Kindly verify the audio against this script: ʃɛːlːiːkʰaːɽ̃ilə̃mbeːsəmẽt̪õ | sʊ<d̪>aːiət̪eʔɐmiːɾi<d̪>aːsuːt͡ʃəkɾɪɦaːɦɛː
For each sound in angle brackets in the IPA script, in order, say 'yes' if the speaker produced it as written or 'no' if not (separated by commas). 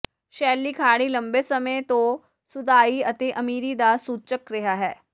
yes, yes